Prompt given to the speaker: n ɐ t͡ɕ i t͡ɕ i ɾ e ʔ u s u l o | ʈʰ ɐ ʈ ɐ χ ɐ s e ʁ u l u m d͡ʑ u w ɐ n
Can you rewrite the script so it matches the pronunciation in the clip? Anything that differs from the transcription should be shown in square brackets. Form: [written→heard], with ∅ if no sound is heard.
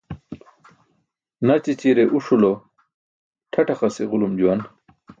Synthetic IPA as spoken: n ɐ t͡ɕ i t͡ɕ i ɾ e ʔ u [s→ʂ] u l o | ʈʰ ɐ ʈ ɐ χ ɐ s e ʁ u l u m d͡ʑ u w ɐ n